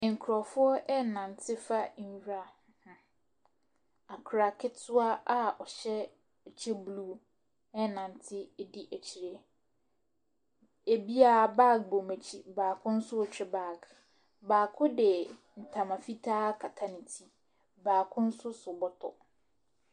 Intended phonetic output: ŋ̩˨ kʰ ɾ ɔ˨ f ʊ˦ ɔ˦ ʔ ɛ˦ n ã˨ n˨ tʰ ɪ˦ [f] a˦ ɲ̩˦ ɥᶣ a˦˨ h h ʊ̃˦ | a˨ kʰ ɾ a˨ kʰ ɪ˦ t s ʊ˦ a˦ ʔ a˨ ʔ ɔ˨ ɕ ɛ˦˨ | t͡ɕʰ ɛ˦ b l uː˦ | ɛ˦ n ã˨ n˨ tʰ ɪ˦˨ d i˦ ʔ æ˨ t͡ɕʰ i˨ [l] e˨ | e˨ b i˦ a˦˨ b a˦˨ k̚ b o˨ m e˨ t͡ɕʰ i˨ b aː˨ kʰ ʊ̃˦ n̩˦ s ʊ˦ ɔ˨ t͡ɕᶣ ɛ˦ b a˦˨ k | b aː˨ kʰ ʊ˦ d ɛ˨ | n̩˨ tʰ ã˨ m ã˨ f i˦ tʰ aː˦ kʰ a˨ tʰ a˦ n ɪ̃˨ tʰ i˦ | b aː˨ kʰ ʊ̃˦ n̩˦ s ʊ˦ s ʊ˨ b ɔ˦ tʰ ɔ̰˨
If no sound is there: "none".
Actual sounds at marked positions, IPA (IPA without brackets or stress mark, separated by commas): f, ɾ